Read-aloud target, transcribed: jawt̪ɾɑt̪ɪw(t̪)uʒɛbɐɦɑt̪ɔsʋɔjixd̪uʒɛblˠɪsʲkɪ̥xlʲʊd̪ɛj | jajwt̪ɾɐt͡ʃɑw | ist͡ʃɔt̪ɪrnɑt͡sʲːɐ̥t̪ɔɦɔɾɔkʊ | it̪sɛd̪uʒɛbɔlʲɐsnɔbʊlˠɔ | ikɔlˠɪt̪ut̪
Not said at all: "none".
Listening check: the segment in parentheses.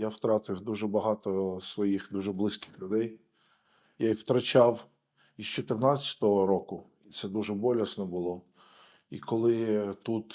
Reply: d̪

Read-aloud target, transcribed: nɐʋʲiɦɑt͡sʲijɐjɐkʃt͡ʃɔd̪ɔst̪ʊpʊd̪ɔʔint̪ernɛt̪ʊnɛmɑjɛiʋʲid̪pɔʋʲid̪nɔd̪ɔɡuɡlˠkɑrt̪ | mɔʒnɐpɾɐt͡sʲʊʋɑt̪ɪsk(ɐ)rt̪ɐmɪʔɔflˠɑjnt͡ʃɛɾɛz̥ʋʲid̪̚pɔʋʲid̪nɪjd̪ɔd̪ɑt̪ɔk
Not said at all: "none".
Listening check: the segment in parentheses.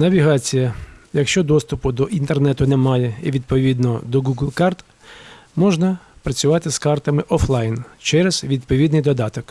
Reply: ɑ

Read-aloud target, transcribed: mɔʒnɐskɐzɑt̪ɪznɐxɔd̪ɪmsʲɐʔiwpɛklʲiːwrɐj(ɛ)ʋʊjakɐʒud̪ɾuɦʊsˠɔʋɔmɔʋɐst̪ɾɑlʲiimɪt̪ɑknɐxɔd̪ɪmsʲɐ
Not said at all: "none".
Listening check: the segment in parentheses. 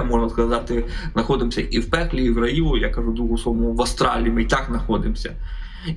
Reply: i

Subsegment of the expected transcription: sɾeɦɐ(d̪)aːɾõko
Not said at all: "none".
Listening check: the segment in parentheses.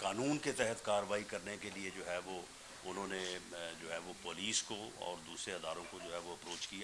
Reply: d̪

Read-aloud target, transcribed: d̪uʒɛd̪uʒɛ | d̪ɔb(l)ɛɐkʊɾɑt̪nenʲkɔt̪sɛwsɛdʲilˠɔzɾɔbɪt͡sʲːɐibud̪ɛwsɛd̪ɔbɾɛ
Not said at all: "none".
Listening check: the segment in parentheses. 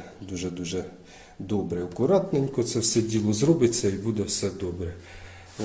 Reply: ɾ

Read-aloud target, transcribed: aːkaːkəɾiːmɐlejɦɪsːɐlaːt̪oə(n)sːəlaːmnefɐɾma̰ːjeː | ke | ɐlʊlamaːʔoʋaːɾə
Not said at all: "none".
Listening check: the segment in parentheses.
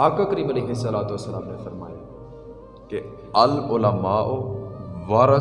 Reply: none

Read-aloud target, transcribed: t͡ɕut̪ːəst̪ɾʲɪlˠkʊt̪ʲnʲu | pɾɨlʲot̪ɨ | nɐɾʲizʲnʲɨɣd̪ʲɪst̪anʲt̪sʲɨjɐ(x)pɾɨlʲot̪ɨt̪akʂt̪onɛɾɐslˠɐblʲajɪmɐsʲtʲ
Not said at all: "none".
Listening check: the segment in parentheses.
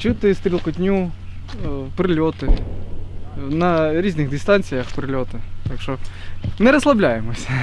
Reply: x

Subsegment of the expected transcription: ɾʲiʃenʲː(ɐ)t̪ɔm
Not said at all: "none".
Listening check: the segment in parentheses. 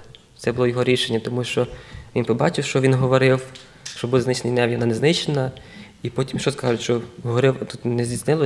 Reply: ɐ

